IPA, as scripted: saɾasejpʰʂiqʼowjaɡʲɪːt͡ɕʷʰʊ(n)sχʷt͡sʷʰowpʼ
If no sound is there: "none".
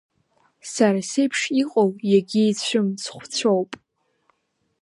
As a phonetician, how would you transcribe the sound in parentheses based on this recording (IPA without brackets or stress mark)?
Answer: m